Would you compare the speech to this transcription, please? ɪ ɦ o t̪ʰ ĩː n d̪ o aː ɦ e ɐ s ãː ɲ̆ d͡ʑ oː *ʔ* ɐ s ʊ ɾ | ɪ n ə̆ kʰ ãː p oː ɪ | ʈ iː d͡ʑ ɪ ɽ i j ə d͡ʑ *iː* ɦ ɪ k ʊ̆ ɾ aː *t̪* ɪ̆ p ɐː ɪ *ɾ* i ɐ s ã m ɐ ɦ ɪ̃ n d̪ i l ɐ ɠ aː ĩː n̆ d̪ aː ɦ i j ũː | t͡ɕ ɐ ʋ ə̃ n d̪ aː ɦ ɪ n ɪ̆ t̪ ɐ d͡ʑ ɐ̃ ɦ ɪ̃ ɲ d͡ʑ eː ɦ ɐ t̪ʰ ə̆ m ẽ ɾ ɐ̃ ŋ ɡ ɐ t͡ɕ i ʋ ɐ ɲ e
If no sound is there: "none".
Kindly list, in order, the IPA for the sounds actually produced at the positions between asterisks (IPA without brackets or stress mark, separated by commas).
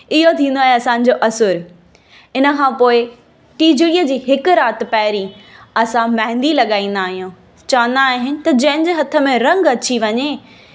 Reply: ʔ, iː, t̪, ɾ